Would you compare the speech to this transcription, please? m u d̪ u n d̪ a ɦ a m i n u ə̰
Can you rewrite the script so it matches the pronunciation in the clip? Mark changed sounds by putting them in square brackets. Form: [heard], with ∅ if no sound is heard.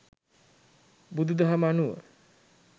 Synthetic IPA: [b] u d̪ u [∅] d̪ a ɦ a m [a] n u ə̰